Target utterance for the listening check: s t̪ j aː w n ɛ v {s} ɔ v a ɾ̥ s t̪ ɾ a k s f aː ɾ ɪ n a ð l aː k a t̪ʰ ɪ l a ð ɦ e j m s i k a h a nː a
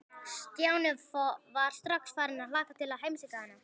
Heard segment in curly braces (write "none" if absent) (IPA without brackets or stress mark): f